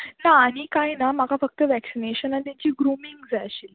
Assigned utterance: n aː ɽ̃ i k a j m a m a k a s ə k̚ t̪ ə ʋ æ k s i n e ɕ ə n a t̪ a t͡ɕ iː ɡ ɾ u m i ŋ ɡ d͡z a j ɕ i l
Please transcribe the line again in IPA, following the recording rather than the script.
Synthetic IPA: n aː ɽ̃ i k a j n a m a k a f ə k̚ t̪ ə ʋ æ k s i n e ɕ ə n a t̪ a t͡ɕ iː ɡ ɾ u m i ŋ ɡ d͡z a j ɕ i l